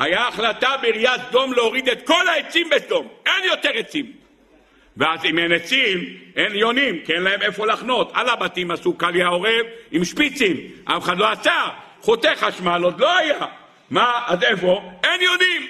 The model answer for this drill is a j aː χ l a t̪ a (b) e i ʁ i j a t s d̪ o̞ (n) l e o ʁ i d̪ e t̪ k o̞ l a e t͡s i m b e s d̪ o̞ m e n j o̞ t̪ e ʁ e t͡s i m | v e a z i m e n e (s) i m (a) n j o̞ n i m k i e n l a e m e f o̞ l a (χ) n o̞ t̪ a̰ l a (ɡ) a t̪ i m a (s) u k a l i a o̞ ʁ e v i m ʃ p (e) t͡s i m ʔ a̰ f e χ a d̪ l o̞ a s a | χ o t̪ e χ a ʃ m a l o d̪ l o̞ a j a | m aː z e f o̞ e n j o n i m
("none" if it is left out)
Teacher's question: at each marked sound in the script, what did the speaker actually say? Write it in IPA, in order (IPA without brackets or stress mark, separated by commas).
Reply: b, m, t͡s, e, χ, b, s, i